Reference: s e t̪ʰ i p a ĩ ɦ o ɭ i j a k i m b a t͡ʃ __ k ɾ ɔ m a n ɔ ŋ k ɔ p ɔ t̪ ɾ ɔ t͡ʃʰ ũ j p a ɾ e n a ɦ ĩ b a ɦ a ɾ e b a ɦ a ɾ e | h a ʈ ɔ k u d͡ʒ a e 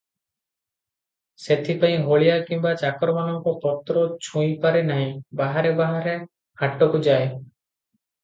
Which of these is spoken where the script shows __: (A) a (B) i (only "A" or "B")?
A